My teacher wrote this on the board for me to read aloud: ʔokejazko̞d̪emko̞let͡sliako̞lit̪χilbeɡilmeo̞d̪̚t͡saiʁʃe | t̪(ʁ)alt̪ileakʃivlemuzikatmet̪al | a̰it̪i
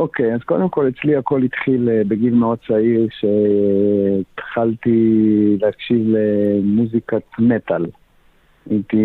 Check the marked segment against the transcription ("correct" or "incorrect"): incorrect